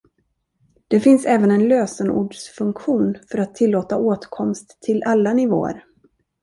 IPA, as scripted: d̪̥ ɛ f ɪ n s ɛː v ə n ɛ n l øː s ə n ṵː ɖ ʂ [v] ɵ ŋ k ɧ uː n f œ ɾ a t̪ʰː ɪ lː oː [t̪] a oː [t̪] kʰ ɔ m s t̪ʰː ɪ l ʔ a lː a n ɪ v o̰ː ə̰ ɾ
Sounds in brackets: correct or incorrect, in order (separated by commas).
incorrect, correct, correct